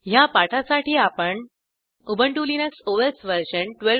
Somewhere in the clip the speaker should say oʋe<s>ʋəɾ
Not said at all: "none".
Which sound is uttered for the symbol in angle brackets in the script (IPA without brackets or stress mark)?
s